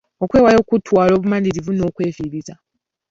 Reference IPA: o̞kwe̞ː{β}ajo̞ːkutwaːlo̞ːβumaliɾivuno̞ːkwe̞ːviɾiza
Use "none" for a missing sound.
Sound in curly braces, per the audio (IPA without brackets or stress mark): w